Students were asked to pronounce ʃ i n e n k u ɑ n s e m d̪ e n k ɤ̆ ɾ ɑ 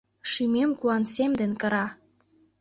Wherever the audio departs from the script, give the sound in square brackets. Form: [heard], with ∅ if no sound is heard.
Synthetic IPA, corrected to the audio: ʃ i [m] e [m] k u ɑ n s e m d̪ e n k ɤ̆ ɾ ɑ